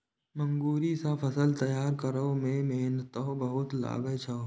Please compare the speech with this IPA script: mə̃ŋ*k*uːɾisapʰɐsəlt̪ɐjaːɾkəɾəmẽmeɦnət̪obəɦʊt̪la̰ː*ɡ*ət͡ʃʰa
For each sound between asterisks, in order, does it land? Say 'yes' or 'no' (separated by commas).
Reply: no, yes